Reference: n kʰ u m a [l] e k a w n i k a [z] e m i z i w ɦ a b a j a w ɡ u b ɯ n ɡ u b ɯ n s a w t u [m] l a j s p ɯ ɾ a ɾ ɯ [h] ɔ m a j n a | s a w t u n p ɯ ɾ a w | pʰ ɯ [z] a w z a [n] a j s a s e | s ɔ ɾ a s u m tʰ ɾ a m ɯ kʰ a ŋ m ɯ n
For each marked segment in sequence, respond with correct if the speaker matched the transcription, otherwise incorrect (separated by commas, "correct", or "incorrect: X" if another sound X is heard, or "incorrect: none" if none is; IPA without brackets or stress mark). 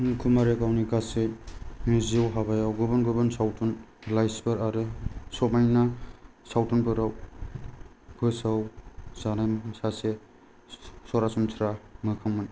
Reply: incorrect: ɾ, incorrect: s, incorrect: n, incorrect: s, incorrect: s, correct